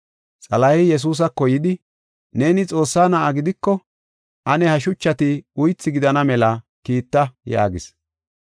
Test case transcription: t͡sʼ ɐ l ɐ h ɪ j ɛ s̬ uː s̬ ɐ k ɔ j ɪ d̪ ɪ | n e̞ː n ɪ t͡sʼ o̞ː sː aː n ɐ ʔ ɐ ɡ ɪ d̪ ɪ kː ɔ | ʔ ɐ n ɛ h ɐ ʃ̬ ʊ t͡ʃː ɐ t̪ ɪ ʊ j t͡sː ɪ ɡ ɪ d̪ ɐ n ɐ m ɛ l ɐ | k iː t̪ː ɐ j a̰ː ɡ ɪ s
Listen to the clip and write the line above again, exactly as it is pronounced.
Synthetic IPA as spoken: t͡sʼ ɐ l ɐ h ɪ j ɛ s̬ uː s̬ ɐ k ɔ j ɪ d̪ ɪ | n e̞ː n ɪ t͡sʼ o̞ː sː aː n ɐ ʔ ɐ ɡ ɪ d̪ ɪ kː ɔ | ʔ ɐ n ɛ h ɐ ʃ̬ ʊ t͡ʃː ɐ t̪ ɪ ʊ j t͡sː ɪ ɡ ɪ d̪ ɐ n ɐ m ɛ l ɐ | k iː t̪ː ɐ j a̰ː ɡ ɪ s